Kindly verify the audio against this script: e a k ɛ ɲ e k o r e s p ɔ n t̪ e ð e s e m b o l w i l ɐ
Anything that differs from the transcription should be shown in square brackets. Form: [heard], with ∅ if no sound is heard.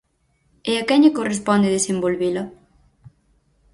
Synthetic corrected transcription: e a k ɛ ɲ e k o r e s p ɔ n [d̪] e ð e s e m b o l [β] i l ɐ